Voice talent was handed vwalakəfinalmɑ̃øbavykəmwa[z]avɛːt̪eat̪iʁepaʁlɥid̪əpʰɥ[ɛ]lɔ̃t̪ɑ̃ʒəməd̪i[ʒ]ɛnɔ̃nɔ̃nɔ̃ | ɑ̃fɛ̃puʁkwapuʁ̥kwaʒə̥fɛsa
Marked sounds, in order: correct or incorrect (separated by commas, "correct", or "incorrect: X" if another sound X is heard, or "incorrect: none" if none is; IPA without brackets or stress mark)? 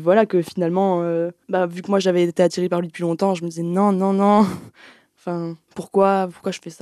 incorrect: ʒ, incorrect: i, incorrect: z